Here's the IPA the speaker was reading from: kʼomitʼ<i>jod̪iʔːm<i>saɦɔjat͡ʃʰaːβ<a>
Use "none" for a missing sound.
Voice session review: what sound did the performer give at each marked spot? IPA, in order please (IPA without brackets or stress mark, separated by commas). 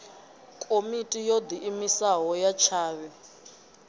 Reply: i, i, ɛ